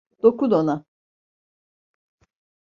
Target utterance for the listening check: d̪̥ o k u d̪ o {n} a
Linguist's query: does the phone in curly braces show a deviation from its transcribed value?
no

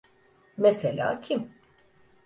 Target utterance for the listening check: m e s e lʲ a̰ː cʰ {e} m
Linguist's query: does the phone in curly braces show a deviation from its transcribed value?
yes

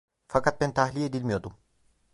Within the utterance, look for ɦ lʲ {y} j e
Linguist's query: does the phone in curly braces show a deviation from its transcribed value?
yes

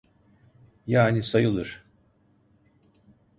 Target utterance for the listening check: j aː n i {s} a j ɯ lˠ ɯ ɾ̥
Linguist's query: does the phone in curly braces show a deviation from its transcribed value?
no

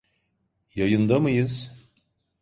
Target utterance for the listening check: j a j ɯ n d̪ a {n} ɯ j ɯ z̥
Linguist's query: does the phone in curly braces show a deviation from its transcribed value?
yes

